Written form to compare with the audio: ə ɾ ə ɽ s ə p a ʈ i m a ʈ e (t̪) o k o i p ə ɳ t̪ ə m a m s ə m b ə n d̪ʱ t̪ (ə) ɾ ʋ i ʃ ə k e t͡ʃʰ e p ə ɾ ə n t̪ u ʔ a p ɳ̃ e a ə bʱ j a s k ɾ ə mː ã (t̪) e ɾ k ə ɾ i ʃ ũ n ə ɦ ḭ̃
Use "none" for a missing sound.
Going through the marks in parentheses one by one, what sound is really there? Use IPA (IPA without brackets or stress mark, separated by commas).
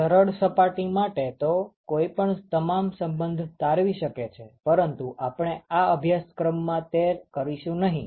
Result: t̪, a, t̪